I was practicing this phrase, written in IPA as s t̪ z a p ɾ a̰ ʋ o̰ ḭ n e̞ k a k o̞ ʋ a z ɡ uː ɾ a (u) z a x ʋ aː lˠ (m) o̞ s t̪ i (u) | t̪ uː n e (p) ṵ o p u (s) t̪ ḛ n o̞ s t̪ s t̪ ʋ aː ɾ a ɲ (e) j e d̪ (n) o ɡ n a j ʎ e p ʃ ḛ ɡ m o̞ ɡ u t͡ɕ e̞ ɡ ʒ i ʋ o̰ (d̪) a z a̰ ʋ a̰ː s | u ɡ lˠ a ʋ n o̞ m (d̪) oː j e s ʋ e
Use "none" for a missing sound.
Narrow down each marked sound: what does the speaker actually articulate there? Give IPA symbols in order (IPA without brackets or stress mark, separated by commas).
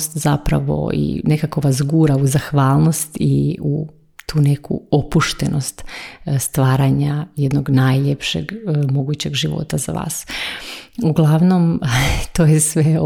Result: u, n, u, k, ʃ, a, n, t̪, t̪